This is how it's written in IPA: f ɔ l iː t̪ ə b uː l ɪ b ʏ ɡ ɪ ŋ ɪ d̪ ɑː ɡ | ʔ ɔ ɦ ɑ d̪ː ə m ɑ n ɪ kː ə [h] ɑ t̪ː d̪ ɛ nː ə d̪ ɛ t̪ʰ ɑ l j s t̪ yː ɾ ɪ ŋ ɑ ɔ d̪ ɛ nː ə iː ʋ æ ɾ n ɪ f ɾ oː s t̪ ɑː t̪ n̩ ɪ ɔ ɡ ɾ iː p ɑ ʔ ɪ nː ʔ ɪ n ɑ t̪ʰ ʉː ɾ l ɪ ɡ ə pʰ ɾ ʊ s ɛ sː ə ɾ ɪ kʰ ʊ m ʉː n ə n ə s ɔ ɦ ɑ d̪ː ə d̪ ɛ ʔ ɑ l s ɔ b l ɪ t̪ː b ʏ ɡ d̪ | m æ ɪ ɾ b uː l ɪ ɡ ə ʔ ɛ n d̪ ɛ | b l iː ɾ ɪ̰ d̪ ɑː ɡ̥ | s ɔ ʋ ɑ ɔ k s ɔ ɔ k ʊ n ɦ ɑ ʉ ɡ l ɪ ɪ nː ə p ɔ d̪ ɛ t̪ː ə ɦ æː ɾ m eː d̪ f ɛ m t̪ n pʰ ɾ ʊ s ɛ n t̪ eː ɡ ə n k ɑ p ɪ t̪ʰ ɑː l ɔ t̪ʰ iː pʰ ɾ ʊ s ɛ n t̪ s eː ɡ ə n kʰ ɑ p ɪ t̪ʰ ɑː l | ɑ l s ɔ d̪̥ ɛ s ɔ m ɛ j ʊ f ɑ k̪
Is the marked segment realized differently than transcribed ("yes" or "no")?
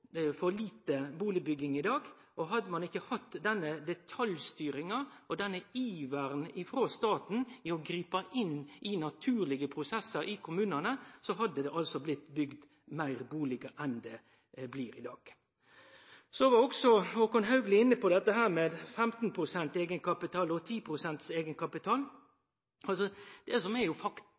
no